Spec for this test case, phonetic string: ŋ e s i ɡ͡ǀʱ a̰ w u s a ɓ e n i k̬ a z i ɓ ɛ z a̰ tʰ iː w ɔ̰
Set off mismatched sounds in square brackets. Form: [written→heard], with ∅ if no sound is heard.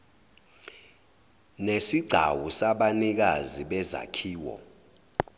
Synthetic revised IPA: [ŋ→n] e s i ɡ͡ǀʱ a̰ w u s a ɓ [e→a] n i k̬ a z i ɓ ɛ z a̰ [tʰ→kʰ] iː w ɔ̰